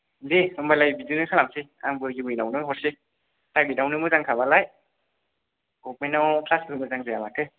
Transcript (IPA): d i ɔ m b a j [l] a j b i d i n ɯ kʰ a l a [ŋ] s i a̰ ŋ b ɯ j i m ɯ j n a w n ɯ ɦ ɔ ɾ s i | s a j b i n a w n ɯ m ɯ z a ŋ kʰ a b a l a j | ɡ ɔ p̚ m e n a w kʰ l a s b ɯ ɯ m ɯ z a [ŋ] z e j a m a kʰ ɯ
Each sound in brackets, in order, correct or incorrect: correct, incorrect: m, correct

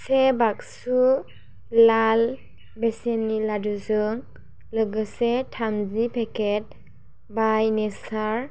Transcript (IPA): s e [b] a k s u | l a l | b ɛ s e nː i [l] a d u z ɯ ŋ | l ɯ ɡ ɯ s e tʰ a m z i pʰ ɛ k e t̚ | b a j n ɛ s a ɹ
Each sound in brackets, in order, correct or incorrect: correct, correct

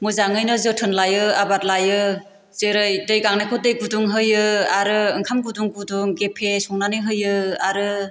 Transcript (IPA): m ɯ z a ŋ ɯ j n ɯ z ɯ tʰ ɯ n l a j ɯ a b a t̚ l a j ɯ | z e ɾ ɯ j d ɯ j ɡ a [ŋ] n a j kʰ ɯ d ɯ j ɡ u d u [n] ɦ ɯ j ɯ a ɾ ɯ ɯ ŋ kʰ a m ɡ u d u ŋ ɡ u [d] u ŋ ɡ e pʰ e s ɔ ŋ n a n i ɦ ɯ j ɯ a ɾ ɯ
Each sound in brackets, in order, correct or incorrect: correct, incorrect: ŋ, correct

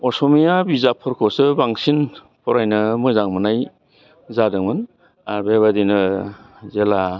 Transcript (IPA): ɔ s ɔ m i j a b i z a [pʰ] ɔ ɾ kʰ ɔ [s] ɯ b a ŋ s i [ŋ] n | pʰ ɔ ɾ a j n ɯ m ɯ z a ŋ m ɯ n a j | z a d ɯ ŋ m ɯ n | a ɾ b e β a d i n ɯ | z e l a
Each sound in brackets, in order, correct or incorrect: correct, correct, incorrect: none

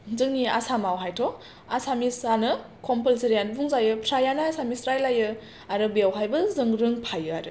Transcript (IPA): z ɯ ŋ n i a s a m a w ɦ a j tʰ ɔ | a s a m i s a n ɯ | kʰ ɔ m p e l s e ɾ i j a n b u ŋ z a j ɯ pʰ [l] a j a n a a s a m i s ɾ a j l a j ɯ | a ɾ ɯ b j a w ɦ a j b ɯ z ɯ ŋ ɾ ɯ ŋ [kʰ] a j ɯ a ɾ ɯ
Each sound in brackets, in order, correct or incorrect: incorrect: ɾ, incorrect: pʰ

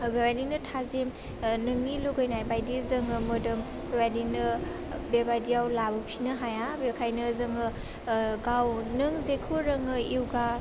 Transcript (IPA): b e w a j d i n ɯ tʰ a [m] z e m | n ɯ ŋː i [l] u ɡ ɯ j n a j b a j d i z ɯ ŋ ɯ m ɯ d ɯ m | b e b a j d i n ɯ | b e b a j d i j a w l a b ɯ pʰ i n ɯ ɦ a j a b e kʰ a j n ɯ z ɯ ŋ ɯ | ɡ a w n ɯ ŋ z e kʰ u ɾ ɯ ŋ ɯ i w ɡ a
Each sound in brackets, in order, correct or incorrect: incorrect: none, correct

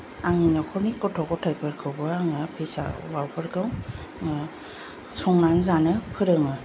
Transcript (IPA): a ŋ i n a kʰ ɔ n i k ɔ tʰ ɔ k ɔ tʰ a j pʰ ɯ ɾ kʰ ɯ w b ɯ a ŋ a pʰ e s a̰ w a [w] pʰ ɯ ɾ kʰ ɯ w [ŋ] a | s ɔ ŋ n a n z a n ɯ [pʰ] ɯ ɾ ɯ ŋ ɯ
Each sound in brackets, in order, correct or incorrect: correct, correct, correct

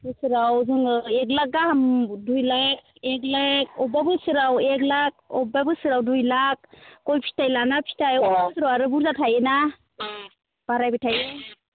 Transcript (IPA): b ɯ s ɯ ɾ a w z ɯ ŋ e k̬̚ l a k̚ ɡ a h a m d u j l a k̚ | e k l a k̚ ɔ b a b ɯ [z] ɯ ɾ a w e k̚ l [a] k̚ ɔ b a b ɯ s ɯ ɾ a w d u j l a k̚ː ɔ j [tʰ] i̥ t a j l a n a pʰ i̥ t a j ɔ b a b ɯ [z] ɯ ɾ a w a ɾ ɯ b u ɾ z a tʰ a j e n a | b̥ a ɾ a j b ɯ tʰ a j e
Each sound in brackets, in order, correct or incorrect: incorrect: s, correct, incorrect: pʰ, incorrect: s

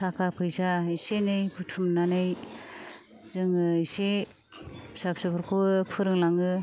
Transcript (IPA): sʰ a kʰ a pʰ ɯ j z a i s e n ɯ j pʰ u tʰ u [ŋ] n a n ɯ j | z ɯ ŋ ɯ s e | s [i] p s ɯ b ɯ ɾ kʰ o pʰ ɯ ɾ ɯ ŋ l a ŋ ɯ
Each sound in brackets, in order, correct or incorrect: incorrect: m, incorrect: a

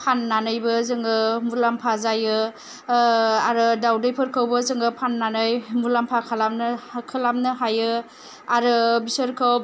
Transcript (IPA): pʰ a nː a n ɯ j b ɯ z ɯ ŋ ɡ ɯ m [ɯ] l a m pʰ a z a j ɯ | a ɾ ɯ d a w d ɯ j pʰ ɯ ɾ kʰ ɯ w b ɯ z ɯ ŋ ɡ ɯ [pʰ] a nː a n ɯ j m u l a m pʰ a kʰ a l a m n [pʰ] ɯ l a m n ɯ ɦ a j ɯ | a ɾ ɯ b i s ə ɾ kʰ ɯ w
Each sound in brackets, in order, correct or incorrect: incorrect: u, correct, incorrect: kʰ

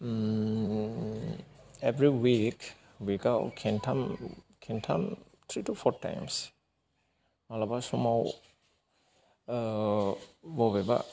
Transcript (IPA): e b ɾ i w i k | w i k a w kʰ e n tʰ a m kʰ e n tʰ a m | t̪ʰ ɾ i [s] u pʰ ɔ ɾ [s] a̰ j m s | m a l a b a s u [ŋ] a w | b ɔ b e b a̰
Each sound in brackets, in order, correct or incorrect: incorrect: t, incorrect: t, incorrect: m

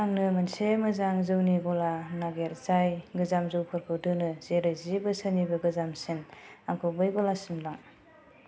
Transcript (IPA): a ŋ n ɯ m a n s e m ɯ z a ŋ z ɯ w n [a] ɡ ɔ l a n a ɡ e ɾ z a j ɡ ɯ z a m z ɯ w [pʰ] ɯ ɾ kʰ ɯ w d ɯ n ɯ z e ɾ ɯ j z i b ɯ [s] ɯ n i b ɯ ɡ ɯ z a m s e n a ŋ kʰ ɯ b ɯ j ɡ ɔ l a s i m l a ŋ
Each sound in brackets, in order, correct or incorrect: incorrect: i, correct, correct

